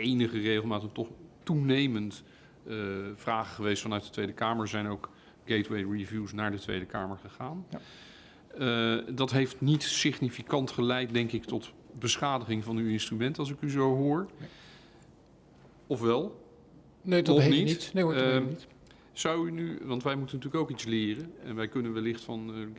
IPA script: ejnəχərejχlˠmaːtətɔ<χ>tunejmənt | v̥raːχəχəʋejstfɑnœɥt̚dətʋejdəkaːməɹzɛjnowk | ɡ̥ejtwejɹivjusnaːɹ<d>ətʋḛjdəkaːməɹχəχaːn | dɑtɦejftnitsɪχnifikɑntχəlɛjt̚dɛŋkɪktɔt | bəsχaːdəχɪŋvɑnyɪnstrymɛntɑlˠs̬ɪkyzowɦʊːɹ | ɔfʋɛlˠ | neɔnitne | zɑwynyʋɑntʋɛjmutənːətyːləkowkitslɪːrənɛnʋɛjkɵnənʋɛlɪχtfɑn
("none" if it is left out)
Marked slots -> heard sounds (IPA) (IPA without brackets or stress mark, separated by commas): χ, d